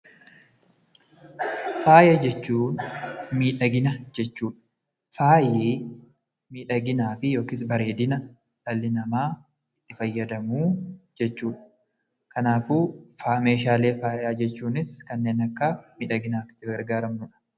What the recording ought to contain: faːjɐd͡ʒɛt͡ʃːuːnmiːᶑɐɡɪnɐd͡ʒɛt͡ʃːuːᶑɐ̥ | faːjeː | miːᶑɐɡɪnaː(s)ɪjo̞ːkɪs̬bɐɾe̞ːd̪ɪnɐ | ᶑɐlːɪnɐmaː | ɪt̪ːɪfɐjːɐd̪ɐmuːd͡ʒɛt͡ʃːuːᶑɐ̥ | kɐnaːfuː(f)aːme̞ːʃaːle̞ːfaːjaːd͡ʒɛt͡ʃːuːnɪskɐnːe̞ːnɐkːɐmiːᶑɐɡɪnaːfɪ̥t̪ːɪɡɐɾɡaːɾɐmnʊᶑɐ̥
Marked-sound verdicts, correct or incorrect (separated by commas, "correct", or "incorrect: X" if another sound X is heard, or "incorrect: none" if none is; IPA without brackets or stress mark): incorrect: f, correct